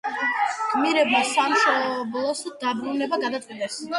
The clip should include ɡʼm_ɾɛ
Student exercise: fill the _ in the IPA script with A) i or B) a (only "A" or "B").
A